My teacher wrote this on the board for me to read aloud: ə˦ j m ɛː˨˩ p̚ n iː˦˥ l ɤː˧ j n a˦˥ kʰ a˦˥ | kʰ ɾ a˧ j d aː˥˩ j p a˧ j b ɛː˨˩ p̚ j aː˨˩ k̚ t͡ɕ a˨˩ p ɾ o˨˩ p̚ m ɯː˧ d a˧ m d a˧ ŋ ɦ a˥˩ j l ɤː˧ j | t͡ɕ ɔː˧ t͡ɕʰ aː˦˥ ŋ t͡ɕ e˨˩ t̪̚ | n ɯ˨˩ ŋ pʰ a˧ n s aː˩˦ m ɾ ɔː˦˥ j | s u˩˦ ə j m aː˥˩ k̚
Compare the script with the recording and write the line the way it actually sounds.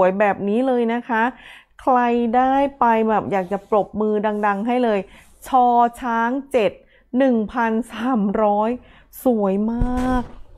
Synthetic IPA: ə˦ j b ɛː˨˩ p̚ n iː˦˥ l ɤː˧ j n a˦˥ kʰ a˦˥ | kʰ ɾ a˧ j d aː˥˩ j p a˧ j b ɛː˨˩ p̚ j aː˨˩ k̚ t͡ɕ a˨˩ p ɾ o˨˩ p̚ m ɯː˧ d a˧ ŋ d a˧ ŋ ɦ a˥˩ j l ɤː˧ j | t͡ɕʰ ɔː˧ t͡ɕʰ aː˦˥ ŋ t͡ɕ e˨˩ t̪̚ | n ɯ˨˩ ŋ pʰ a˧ n s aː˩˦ m ɾ ɔː˦˥ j | s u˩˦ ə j m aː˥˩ k̚